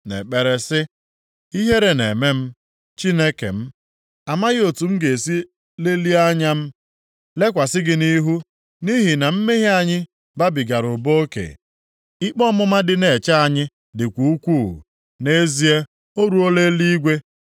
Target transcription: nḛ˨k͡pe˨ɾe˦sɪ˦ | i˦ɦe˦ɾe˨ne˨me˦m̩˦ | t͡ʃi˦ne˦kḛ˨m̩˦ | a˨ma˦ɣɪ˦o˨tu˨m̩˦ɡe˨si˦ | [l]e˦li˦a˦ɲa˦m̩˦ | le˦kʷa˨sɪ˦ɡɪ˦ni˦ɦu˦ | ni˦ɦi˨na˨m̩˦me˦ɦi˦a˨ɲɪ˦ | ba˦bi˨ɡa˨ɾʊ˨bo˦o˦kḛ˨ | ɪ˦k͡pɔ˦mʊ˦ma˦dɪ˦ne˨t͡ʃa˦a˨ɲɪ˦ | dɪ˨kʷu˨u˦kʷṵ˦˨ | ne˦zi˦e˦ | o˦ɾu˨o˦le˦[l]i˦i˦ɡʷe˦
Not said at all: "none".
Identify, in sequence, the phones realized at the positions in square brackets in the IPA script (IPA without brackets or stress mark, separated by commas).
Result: l, l